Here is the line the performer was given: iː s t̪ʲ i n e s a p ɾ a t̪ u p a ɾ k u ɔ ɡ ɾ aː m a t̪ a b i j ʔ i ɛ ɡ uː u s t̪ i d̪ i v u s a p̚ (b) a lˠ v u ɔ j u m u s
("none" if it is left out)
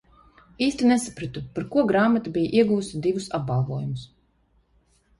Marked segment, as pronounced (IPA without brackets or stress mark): b